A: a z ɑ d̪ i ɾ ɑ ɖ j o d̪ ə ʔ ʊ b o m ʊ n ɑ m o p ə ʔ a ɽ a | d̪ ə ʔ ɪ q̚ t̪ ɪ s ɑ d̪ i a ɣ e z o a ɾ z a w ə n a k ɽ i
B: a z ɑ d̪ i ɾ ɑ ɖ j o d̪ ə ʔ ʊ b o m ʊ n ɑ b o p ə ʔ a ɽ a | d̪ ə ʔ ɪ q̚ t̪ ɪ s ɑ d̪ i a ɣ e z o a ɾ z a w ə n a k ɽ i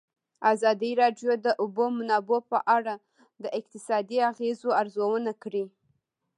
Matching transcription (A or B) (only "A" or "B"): B